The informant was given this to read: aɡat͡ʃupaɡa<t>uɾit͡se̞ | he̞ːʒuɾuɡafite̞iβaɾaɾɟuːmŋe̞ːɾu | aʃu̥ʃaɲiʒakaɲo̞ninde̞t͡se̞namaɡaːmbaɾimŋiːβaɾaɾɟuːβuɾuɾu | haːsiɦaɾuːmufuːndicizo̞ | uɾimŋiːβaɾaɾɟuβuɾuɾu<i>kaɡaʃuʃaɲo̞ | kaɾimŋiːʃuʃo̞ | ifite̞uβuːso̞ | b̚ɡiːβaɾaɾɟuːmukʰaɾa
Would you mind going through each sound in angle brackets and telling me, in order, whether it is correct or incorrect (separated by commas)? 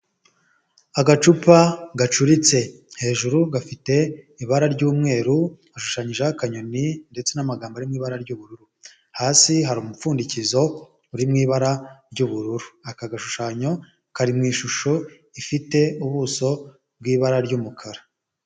incorrect, incorrect